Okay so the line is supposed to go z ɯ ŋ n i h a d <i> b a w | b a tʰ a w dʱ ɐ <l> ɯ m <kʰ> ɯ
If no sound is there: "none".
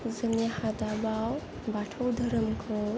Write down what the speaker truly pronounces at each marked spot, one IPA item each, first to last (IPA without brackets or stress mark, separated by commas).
a, ɾ, kʰ